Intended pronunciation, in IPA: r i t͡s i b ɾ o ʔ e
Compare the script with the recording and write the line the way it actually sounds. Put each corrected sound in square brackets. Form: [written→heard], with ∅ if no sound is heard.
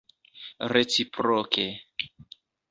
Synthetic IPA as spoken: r [i→e] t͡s i [b→p] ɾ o [ʔ→k] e